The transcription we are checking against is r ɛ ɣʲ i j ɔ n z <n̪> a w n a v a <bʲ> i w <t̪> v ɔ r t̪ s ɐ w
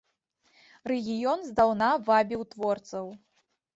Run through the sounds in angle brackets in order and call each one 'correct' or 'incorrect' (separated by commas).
incorrect, correct, correct